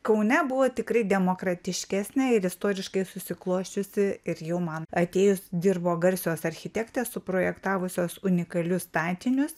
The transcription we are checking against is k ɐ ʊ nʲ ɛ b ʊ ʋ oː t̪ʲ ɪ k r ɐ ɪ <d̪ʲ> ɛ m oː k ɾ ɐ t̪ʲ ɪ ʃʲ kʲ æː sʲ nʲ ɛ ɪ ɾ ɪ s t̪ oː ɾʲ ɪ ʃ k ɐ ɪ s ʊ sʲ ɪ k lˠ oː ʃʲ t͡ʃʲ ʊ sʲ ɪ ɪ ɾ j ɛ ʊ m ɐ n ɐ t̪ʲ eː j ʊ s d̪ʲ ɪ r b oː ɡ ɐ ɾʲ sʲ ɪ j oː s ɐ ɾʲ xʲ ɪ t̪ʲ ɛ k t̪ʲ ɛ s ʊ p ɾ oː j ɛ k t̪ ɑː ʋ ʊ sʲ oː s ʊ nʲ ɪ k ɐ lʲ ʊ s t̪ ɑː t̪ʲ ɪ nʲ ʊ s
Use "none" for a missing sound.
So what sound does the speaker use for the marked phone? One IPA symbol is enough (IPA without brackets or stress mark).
d̪ʲ